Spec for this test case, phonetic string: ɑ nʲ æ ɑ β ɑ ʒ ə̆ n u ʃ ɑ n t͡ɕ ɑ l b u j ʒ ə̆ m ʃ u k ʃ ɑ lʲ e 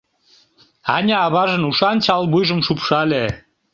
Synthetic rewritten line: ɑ nʲ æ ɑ β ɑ ʒ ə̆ n u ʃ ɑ n t͡ɕ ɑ l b u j ʒ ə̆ m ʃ u p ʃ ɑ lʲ e